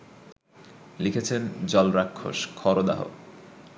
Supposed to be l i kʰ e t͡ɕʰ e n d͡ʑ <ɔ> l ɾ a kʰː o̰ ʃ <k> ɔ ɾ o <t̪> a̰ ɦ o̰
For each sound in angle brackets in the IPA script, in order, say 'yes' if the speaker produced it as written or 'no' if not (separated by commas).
yes, no, no